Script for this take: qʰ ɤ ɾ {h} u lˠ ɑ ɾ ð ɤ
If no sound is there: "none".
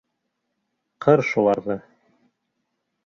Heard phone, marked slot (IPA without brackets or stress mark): ʃ